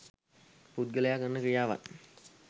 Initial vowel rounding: rounded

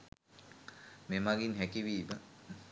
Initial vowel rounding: unrounded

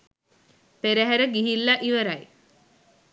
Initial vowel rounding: unrounded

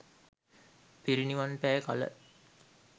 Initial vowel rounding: unrounded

